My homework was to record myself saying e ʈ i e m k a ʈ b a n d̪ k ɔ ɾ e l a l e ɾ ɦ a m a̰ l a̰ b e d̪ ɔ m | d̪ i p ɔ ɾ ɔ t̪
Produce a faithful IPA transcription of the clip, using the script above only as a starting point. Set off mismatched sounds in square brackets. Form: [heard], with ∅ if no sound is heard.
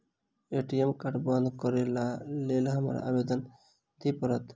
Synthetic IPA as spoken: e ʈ i e m k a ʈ b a n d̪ k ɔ ɾ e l a l e [l] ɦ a m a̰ [ɾ] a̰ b e d̪ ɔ [n] | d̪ i p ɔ ɾ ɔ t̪